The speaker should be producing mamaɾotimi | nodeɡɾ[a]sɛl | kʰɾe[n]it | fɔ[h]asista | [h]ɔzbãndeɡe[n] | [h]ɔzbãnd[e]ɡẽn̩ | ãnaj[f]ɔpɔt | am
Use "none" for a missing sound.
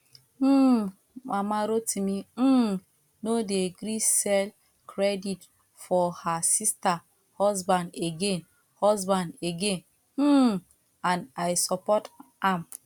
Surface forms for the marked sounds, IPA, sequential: i, d, h, h, n, h, e, s

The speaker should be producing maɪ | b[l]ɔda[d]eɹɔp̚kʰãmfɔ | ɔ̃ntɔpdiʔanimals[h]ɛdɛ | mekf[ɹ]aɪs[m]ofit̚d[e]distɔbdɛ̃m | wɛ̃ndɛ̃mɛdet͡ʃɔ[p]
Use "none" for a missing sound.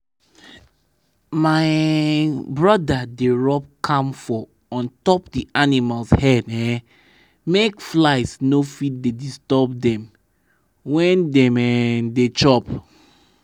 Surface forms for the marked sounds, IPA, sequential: ɹ, d, h, l, n, e, p

